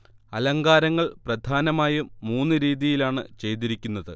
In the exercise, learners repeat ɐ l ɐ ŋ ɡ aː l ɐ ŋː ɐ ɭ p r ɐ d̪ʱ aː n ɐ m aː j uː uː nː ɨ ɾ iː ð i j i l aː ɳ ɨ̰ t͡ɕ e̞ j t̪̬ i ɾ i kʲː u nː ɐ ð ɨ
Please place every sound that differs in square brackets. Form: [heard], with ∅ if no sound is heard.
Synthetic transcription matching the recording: ɐ l ɐ ŋ ɡ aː [ɾ] ɐ ŋː ɐ ɭ p r ɐ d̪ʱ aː n ɐ m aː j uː uː nː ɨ ɾ iː ð i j i l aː ɳ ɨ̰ t͡ɕ e̞ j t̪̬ i ɾ i kʲː u nː ɐ ð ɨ